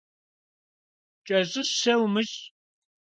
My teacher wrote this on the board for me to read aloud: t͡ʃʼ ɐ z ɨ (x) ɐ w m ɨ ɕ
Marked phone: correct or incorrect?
incorrect